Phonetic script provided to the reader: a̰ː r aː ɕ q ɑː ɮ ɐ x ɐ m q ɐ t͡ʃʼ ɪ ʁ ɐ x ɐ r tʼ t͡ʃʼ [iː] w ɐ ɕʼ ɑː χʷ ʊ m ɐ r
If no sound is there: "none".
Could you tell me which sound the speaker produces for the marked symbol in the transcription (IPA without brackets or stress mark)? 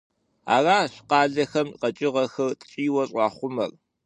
iː